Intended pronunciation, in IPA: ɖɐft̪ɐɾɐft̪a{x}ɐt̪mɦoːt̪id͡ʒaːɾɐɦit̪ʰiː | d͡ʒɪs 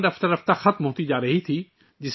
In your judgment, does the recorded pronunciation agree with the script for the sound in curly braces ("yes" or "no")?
yes